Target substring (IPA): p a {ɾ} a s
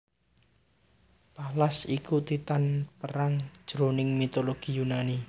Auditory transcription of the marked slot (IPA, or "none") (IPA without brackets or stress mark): l